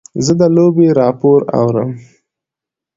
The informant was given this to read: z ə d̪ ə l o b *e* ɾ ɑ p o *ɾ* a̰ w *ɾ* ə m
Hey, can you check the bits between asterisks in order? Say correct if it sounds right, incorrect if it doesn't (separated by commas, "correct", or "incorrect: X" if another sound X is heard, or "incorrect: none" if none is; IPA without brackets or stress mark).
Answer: correct, correct, correct